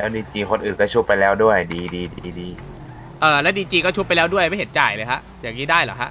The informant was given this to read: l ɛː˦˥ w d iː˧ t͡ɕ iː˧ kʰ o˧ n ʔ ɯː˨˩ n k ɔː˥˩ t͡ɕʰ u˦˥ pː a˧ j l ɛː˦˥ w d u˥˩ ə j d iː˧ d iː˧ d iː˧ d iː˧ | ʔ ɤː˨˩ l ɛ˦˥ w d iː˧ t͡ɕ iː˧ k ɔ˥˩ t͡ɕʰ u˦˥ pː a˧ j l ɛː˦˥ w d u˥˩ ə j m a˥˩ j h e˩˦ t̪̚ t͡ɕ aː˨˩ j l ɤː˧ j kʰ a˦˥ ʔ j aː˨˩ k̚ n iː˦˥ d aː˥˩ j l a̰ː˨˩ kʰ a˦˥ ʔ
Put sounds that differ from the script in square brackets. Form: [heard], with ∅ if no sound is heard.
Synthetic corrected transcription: l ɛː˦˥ w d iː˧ t͡ɕ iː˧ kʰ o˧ n ʔ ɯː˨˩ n k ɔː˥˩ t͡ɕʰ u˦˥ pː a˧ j l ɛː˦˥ w d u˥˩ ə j d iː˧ d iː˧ d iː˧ d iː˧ | ʔ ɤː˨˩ l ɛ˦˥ w d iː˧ t͡ɕ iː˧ k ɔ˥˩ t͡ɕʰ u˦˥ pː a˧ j l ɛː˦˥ w d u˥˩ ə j m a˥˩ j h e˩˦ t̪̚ t͡ɕ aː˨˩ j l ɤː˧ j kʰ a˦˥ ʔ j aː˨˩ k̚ n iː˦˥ d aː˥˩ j l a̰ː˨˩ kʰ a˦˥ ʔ